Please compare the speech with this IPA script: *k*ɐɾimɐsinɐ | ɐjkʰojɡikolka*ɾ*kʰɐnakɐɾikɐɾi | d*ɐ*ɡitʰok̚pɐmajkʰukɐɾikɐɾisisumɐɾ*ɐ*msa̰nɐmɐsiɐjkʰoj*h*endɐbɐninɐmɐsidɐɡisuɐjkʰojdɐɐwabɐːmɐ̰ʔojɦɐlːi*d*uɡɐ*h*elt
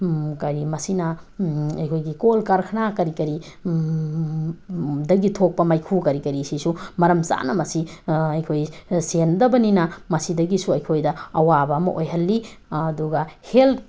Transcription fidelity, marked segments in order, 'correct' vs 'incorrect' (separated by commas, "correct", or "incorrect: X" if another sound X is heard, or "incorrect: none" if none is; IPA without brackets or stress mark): correct, correct, correct, correct, incorrect: s, correct, correct